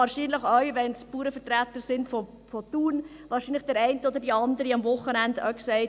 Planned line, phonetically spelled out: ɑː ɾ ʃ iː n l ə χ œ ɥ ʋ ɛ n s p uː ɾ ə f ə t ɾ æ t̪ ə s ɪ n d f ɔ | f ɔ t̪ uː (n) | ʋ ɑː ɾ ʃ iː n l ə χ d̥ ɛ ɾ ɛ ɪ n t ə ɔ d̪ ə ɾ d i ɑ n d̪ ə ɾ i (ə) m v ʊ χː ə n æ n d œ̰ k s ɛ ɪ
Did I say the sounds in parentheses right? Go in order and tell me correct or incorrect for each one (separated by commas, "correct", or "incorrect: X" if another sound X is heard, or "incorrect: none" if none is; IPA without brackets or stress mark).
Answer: correct, incorrect: ɑ